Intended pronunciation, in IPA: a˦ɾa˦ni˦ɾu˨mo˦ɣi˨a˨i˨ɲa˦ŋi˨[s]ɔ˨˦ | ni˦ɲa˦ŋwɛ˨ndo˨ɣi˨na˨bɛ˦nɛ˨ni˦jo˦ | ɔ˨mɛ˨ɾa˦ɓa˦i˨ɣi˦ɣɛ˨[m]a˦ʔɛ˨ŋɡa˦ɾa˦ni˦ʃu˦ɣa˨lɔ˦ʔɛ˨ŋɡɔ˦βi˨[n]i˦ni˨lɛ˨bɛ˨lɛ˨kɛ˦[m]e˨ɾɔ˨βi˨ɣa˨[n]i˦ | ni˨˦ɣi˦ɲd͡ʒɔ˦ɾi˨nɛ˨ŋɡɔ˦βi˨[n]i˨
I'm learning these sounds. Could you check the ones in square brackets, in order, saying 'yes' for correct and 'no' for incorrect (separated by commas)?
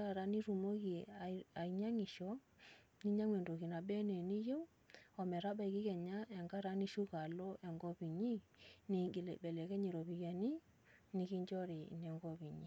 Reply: no, no, no, no, yes, no